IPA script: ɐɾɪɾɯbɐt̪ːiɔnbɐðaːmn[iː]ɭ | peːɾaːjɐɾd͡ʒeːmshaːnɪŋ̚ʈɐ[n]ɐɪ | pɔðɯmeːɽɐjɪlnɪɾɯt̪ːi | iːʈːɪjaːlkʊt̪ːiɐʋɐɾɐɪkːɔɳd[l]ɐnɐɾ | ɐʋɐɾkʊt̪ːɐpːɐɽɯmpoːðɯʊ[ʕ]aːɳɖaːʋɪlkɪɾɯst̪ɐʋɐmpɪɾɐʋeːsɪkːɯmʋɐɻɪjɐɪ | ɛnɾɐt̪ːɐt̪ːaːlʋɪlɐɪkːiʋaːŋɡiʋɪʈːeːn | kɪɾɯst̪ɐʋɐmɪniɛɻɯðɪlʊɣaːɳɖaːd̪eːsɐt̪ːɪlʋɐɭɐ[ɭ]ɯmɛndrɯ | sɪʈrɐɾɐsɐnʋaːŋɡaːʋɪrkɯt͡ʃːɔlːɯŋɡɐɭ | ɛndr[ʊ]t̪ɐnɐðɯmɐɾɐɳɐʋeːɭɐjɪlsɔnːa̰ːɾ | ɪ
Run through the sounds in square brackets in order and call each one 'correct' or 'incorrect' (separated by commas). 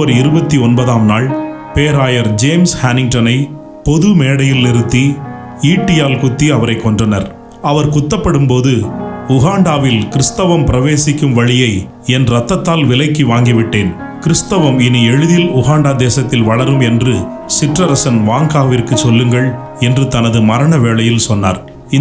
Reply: incorrect, correct, incorrect, incorrect, incorrect, incorrect